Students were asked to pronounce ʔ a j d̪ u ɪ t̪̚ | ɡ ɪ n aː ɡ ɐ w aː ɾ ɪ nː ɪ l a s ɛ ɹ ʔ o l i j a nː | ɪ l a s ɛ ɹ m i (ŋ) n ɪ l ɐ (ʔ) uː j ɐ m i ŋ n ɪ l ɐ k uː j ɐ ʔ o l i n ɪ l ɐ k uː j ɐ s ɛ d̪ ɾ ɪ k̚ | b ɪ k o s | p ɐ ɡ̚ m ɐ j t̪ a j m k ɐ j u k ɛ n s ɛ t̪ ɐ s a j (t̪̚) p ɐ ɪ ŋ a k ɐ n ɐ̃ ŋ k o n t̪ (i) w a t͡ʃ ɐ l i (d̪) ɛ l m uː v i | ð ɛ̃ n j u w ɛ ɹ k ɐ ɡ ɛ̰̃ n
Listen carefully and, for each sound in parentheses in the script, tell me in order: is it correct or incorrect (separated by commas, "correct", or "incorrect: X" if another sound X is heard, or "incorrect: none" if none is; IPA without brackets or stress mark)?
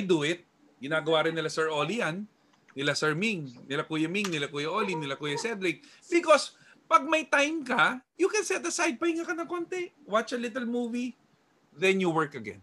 correct, incorrect: k, incorrect: d̪̚, incorrect: ɛ, incorrect: t̪